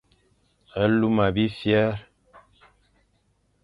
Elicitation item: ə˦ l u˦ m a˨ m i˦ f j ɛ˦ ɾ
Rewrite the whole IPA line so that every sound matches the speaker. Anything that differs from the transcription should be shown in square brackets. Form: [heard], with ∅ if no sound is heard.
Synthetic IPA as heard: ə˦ l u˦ m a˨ [b] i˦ f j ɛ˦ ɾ